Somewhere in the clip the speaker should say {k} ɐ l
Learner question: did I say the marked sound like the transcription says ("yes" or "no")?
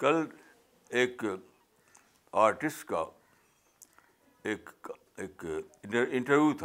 yes